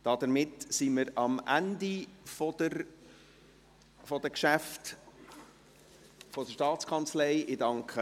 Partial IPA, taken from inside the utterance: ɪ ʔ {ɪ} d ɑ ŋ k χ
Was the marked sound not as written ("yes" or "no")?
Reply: no